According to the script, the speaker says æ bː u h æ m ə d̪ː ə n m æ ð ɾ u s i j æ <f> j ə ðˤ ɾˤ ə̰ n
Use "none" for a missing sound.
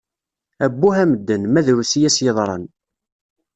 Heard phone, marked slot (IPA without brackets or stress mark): s